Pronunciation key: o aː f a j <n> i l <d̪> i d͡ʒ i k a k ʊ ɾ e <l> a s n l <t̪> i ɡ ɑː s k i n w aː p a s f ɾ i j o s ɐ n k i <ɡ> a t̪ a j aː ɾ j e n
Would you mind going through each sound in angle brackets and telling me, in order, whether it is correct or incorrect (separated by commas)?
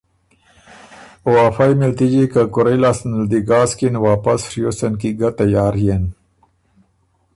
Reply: incorrect, incorrect, correct, incorrect, correct